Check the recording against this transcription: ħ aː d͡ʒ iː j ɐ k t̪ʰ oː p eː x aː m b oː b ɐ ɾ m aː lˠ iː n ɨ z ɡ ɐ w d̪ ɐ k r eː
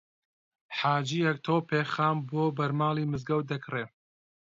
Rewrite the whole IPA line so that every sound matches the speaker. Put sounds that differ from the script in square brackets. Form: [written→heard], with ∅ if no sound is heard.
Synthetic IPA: ħ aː d͡ʒ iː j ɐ k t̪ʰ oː p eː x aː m b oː b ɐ ɾ m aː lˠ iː [n→m] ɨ z ɡ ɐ w d̪ ɐ k r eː